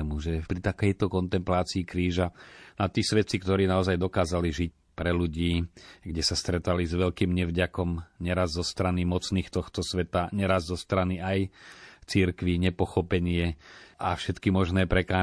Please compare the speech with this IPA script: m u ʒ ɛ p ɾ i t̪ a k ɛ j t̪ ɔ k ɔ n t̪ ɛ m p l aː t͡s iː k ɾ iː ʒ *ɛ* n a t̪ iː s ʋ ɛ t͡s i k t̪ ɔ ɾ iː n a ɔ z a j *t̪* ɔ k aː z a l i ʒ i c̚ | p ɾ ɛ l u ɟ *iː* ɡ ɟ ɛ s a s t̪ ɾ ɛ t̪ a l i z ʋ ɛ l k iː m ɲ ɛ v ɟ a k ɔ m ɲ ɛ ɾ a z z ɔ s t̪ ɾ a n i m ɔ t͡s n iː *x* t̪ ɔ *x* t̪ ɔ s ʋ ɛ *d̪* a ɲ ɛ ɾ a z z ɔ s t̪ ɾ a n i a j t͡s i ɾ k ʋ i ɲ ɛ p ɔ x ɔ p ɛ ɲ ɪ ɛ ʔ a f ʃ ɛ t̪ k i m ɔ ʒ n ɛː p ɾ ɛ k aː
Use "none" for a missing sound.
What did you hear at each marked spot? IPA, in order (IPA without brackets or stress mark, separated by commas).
a, d̪, iː, x, x, t̪